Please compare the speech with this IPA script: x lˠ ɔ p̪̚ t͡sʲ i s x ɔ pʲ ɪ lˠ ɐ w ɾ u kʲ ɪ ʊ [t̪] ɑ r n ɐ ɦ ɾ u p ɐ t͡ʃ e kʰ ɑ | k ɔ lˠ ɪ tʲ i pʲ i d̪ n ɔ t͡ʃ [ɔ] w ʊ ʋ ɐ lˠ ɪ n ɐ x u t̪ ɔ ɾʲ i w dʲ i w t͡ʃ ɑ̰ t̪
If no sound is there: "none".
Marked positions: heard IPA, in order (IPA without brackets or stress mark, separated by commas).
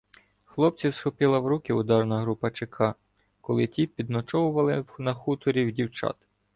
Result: d̪, ɔ